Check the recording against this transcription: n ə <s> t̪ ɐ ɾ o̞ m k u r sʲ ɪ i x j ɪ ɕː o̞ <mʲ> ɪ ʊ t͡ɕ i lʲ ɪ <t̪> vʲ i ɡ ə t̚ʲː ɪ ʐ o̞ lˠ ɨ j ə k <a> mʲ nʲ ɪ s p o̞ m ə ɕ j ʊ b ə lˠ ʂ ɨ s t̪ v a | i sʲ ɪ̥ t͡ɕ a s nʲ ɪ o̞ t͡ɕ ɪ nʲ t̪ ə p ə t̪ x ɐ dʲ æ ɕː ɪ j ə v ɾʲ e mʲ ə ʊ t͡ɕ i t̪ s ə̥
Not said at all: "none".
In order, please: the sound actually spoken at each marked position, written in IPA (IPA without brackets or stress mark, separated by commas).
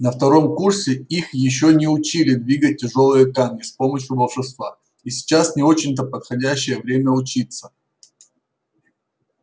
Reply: f, nʲ, d̪, a